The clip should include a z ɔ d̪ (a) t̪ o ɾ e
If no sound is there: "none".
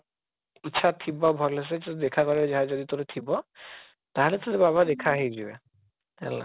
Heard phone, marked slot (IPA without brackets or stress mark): i